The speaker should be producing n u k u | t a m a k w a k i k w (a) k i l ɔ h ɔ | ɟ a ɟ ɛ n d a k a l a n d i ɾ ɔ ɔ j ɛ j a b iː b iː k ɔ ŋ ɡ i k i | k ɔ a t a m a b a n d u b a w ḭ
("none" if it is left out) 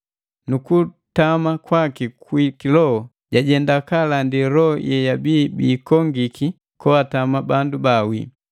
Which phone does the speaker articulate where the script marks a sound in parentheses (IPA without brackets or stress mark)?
i